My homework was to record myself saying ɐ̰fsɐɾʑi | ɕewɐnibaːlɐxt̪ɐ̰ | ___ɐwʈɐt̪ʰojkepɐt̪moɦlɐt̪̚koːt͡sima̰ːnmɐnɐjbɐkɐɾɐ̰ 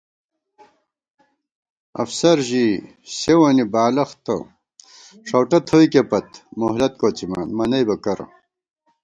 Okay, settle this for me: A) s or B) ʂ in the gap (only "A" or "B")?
B